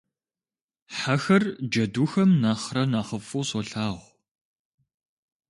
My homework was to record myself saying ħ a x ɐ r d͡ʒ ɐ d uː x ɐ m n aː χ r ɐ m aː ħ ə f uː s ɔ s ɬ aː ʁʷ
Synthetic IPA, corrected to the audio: ħ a x ɐ r d͡ʒ ɐ d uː x ɐ m n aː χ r ɐ n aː χ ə f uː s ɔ ɬ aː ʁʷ

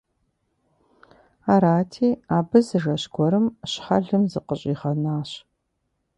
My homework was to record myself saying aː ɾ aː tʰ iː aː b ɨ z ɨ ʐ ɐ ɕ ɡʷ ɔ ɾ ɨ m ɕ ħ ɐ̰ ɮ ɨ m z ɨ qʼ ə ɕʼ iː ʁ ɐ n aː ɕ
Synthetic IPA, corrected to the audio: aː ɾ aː tʰ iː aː b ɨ z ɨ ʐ ɐ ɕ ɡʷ ɔ ɾ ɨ m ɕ ħ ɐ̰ ɮ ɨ m z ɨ q ə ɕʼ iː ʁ ɐ n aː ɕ

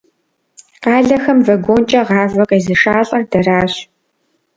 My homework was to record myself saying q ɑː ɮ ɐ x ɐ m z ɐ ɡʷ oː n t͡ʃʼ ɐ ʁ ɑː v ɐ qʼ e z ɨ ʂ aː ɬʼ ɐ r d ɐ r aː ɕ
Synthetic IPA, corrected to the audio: q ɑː ɮ ɐ x ɐ m v ɐ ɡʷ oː n t͡ʃʼ ɐ ʁ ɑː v ɐ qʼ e z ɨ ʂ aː ɬʼ ɐ r d ɐ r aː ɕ

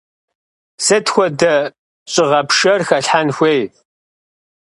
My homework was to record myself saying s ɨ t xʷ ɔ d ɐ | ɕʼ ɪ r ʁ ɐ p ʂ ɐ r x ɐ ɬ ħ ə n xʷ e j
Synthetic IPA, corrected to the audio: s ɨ t xʷ ɔ d ɐ | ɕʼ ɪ ʁ ɐ p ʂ ɐ r x ɐ ɬ ħ a n xʷ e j

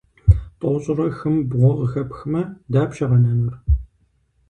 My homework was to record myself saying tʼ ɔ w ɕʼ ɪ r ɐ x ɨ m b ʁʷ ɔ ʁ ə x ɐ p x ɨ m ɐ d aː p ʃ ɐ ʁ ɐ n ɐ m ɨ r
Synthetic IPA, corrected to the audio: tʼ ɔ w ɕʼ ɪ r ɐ x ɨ m b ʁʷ ɔ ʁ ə x ɐ p x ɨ m ɐ d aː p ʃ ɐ ʁ ɐ n ɐ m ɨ r

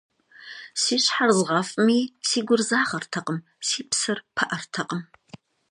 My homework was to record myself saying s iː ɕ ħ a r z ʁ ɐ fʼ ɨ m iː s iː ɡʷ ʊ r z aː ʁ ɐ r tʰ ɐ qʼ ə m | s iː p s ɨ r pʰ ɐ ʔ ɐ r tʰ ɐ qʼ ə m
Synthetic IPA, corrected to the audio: s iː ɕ ħ a r z ʁ ɐ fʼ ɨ m iː s iː ɡʷ ʊ r z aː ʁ ɐ r tʰ ɐ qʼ ə m | s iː p s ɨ r pʰ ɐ ʔ ɐ r tʰ ɐ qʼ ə m

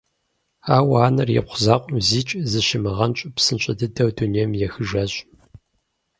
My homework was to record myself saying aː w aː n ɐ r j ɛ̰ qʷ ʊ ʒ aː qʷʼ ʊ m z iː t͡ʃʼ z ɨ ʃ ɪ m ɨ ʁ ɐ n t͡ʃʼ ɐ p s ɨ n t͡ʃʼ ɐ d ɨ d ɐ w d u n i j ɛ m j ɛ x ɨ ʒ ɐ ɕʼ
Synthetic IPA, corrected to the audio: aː w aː n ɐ r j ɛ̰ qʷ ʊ z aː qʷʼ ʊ m z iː t͡ʃʼ z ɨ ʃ ɪ m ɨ ʁ ɐ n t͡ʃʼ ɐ p s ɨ n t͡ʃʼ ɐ d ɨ d ɐ w d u n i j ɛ m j ɛ x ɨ ʒ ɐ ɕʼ

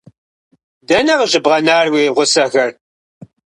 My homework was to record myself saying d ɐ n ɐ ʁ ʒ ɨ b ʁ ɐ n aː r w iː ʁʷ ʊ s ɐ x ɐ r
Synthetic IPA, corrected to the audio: d ɐ n ɐ ʁ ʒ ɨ b ʁ ɐ n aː r w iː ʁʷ ʊ s ɐ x ɐ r

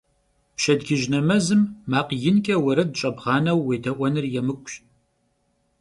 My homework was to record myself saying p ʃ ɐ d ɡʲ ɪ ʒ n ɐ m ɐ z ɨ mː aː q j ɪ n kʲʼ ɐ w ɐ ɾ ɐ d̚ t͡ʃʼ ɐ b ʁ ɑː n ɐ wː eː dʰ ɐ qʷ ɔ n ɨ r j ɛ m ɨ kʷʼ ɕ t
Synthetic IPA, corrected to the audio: p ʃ ɐ d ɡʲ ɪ ʒ n ɐ m ɐ z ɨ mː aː q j ɪ n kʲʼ ɐ w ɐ ɾ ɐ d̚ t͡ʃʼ ɐ b ʁ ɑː n ɐ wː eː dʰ ɐ ʔʷ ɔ n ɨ r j ɛ m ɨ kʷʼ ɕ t

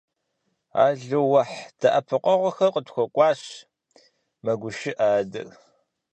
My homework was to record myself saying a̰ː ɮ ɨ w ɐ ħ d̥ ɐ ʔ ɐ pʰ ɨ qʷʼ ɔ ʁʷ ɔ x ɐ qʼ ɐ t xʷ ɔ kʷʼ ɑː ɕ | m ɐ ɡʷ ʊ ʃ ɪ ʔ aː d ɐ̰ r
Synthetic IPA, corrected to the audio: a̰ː ɮ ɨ w ɐ ħ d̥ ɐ ʔ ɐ pʰ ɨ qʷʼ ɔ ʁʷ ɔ x ɐ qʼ ə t xʷ ɔ kʷʼ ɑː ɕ | m ɐ ɡʷ ʊ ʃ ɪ ʔ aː d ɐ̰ r

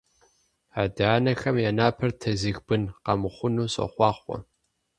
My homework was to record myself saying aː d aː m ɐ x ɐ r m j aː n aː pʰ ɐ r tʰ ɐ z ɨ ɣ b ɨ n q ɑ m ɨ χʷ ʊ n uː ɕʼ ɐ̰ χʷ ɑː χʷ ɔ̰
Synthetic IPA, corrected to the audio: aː d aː n ɐ x ɐ m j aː n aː pʰ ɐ r tʰ ɐ z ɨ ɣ b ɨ n q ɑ m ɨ χʷ ʊ n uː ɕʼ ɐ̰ χʷ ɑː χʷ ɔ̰

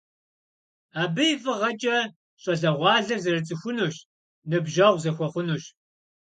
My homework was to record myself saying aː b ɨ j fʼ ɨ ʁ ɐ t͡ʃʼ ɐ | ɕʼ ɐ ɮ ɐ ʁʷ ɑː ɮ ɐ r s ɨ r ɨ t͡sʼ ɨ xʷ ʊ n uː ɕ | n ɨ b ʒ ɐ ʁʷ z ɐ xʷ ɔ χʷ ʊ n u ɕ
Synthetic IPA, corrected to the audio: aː b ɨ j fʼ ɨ ʁ ɐ t͡ʃʼ ɐ | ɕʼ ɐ ɮ ɐ ʁʷ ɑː ɮ ɐ r z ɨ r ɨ t͡sʼ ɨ xʷ ʊ n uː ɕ | n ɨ b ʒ ɐ ʁʷ z ɐ xʷ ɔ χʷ ʊ n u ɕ

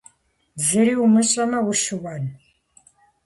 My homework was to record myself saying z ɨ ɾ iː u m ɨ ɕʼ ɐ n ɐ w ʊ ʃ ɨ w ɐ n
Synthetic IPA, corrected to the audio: z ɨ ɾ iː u m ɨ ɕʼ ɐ m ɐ w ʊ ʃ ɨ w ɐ n

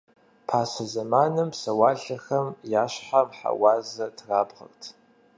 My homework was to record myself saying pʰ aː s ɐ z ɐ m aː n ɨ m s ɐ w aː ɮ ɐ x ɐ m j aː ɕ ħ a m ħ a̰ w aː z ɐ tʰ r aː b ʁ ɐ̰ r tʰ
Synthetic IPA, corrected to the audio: pʰ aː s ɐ z ɐ m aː n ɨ m s ɐ w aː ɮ ɐ x ɐ m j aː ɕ ħ a m ħ a̰ w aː z ɐ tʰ r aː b ʁ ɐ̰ r tʰ

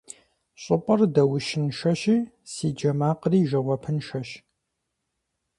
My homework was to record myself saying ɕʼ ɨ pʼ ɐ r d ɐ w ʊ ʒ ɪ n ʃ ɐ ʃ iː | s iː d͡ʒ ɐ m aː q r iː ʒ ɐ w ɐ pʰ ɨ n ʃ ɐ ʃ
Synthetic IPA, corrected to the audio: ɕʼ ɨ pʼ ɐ r d ɐ w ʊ ʃ ɪ n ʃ ɐ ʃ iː | s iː d͡ʒ ɐ m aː q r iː ʒ ɐ w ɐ pʰ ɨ n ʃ ɐ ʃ

